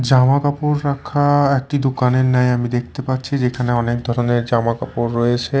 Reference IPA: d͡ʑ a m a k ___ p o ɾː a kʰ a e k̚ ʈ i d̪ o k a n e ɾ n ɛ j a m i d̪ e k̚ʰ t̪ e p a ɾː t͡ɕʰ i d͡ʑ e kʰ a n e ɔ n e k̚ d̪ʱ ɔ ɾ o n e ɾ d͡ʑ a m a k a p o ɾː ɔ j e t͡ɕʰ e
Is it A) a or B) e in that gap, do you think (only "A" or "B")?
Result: A